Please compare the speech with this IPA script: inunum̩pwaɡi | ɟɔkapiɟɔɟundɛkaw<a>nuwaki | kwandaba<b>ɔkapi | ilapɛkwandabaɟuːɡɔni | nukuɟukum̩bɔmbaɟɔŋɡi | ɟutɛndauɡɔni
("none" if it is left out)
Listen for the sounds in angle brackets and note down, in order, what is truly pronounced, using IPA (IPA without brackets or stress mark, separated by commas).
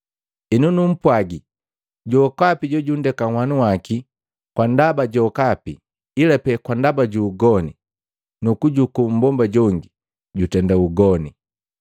a, ɟ